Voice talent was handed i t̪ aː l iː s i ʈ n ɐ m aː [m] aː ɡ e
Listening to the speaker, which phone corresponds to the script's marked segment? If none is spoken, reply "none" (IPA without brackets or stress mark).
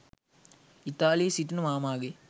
m